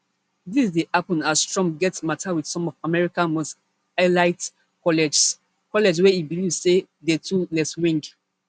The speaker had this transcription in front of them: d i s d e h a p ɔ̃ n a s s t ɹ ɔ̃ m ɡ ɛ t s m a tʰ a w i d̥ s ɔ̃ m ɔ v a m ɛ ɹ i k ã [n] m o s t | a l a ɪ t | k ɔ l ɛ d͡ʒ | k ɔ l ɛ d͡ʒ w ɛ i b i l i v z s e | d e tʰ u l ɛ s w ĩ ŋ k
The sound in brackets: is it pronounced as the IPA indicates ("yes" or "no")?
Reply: yes